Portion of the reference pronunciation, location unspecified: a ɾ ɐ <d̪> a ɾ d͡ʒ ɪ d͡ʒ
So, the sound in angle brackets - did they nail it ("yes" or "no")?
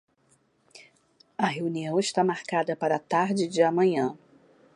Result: no